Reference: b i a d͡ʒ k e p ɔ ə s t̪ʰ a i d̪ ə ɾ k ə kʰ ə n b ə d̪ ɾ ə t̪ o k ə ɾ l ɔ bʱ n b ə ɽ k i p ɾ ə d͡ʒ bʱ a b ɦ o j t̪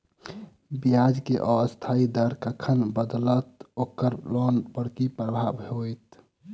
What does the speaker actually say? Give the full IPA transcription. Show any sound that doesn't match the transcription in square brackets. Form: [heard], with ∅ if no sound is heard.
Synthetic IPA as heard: b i a d͡ʒ k e [ʔ] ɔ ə s t̪ʰ a i d̪ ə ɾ k ə kʰ ə n b ə d̪ [l] ə t̪ o k ə ɾ l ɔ [∅] n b ə ɽ k i p ɾ ə [∅] bʱ a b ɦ o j t̪